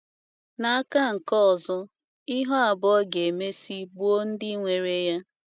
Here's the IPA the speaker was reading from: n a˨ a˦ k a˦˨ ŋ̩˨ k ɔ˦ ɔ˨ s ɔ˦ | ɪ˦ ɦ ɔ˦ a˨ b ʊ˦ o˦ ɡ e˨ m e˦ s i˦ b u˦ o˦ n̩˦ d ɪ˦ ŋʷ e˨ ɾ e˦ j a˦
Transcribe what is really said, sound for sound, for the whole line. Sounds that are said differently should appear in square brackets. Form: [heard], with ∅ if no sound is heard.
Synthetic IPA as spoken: n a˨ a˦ k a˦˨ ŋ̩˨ k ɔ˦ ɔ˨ [z] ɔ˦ | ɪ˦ ɦ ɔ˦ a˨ b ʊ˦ [ɔ˦] ɡ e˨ m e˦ s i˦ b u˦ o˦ n̩˦ d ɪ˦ ŋʷ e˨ ɾ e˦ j a˦